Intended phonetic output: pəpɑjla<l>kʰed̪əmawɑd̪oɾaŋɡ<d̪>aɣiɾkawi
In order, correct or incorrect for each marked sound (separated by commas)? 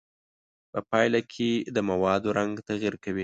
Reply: incorrect, incorrect